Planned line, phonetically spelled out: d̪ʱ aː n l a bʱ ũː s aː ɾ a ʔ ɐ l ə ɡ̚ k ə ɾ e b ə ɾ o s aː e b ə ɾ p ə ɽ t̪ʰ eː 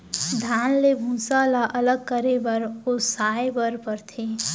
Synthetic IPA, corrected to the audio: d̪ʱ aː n l e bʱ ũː s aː l a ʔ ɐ l ə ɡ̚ k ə ɾ e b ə ɾ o s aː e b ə ɾ p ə ɾ t̪ʰ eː

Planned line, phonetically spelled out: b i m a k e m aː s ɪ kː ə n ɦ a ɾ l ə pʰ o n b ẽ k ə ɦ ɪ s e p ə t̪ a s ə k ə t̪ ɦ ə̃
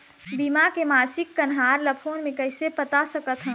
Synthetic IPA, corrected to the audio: b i m a k e m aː s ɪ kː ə n ɦ a ɾ l ə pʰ o n m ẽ k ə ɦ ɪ s e p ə t̪ a s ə k ə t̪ ɦ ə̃

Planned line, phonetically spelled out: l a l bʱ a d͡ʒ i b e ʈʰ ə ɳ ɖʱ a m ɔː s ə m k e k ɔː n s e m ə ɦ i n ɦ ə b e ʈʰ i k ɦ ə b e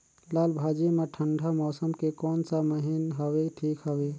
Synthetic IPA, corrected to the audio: l a l bʱ a d͡ʒ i m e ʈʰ ə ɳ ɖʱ a m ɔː s ə m k e k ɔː n s a m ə ɦ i n ɦ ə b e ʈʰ i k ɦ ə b e

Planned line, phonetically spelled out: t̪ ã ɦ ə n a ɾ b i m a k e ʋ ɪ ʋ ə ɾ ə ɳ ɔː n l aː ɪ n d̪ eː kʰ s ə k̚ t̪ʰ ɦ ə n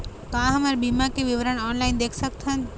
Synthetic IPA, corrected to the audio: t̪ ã ɦ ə m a ɾ b i m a k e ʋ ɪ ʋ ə ɾ ə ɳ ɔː n l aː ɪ n d̪ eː kʰ s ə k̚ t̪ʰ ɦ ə n

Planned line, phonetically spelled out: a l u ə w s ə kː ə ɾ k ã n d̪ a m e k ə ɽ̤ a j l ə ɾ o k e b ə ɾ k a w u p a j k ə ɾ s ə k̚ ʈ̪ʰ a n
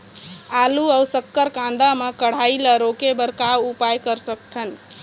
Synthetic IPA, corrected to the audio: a l u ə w s ə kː ə ɾ k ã n d̪ a m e k ə ɽ̤ a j l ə ɾ o k e b ə ɾ k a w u p a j k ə ɾ s ə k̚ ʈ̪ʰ ə n

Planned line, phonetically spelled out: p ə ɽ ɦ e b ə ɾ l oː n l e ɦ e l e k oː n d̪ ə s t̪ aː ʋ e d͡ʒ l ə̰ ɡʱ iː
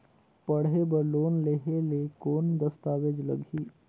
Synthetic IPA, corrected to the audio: p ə ɽ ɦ e b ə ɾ l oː n l e ɦ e l e k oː n d̪ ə s t̪ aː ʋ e d͡ʒ l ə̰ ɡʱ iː

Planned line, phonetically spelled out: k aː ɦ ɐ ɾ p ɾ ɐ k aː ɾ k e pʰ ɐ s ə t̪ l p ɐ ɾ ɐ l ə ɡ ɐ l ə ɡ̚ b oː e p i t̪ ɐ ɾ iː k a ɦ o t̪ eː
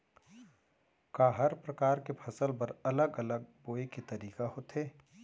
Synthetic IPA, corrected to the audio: k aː ɦ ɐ ɾ p ɾ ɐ k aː ɾ k e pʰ ɐ s ə l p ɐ ɾ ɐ l ə ɡ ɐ l ə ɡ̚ b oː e k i t̪ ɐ ɾ iː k a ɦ o t̪ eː

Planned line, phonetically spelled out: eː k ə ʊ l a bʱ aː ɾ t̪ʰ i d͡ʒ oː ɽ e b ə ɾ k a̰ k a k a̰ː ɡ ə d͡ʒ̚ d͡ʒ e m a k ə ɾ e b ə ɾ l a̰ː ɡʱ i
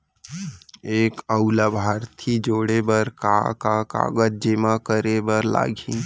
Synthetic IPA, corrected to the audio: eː k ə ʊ l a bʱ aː ɾ t̪ʰ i d͡ʒ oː ɽ e b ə ɾ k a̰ k a k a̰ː ɡ ə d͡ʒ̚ d͡ʒ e m a k ə ɾ e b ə ɾ l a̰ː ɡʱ i

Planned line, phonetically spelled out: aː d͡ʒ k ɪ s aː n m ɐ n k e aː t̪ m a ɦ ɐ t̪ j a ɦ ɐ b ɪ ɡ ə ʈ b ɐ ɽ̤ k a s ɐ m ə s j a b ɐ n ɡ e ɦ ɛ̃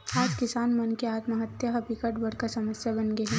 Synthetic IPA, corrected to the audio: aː d͡ʒ k ɪ s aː n m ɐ n k e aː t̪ m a ɦ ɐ t̪ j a ɦ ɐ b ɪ k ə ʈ b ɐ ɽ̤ k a s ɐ m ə s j a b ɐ n ɡ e ɦ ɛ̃

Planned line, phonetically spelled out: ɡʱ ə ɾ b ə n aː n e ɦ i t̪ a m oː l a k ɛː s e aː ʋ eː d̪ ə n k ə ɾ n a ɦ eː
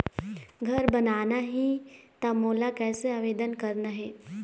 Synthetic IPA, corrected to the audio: ɡʱ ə ɾ b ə n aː n a ɦ i t̪ a m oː l a k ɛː s e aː ʋ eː d̪ ə n k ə ɾ n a ɦ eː

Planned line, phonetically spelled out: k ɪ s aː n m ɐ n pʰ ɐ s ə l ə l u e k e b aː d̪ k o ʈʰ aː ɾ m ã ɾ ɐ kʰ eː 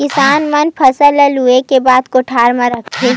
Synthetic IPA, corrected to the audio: k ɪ s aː n m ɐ n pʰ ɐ s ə l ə l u e k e b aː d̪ k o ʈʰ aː ɾ m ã ɾ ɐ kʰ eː

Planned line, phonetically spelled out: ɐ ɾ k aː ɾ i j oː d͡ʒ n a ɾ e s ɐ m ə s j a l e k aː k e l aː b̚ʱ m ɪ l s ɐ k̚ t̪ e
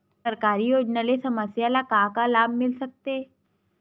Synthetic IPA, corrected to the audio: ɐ ɾ k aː ɾ i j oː d͡ʒ n a l e s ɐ m ə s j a l a k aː k a l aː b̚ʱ m ɪ l s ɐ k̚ t̪ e

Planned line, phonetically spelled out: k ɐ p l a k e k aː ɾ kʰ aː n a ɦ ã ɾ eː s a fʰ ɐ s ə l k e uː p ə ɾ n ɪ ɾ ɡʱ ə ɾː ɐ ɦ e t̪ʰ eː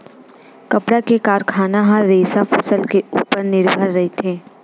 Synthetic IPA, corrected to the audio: k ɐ p ɽ a k e k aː ɾ kʰ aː n a ɦ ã ɾ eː s a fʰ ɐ s ə l k e uː p ə ɾ n ɪ ɾ bʱ ə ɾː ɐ ɦ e t̪ʰ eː

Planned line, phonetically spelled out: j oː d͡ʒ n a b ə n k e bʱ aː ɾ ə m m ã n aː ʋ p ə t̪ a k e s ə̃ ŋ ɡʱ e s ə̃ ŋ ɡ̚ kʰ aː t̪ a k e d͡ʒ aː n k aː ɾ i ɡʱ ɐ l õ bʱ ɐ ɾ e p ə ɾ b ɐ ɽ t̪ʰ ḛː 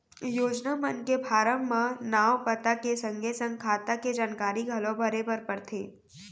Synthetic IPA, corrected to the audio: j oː d͡ʒ n a m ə n k e bʱ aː ɾ ə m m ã n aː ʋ p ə t̪ a k e s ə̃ ŋ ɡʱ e s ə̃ ŋ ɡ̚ kʰ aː t̪ a k e d͡ʒ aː n k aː ɾ i ɡʱ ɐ l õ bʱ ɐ ɾ e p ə ɾ p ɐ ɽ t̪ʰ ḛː

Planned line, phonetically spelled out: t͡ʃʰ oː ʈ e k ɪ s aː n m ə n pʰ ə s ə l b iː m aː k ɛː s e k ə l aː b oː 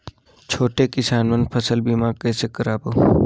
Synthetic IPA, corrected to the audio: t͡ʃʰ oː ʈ e k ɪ s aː n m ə n pʰ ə s ə l b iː m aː k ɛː s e k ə ɾ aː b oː

